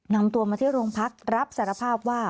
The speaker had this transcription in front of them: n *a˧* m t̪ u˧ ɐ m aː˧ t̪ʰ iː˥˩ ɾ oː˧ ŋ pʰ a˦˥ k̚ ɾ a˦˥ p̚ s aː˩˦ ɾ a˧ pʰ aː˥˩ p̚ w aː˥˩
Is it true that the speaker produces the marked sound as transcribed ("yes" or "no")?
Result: yes